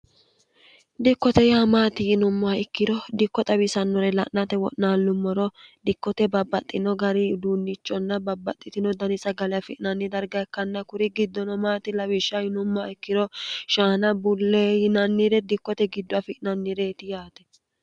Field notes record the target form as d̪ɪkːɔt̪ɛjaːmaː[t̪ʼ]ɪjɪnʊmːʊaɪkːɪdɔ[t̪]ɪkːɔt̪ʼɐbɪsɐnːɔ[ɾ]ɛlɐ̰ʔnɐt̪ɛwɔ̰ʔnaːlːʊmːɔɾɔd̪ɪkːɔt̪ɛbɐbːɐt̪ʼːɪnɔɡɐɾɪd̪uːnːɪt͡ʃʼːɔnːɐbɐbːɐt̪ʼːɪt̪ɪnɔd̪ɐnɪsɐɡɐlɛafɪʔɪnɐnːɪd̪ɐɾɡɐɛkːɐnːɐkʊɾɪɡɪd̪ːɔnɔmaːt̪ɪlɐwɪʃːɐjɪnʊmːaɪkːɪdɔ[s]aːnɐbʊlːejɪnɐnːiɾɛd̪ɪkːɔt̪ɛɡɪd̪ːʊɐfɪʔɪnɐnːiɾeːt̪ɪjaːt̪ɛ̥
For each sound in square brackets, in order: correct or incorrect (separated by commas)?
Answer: incorrect, incorrect, correct, incorrect